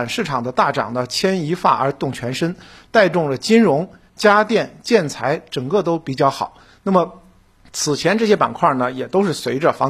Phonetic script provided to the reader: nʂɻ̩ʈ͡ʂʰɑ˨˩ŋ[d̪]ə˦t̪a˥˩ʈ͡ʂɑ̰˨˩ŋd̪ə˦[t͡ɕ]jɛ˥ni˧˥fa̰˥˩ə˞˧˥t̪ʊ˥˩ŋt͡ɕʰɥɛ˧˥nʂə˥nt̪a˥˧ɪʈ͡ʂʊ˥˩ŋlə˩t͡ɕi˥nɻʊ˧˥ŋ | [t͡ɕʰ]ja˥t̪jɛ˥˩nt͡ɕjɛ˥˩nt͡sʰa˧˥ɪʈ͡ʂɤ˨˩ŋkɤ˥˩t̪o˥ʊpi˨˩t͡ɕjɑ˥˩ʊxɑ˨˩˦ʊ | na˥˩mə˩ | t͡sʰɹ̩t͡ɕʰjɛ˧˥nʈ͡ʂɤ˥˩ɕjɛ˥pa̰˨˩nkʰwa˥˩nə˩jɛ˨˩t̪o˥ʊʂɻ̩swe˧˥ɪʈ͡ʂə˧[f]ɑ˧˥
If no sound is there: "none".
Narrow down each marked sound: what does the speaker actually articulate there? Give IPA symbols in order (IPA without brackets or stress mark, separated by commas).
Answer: d̪, t͡ɕʰ, t͡ɕ, f